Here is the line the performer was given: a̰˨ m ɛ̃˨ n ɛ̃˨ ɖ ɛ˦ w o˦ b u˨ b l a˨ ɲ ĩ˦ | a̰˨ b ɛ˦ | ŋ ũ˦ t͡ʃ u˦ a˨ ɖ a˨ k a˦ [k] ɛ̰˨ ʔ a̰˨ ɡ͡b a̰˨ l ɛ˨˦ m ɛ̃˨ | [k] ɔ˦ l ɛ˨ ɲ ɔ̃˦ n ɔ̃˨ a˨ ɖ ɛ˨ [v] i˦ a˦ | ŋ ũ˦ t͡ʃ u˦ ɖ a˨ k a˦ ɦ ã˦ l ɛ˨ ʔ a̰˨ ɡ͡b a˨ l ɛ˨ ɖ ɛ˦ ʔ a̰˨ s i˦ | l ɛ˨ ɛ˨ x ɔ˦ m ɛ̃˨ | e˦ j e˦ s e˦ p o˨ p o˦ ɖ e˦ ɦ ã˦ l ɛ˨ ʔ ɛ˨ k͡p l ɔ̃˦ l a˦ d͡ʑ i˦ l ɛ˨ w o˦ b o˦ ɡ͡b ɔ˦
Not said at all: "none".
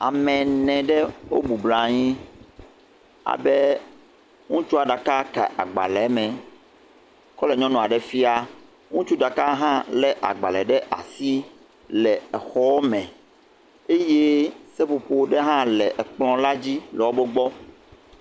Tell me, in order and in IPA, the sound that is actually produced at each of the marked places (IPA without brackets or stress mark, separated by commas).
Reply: k, k, f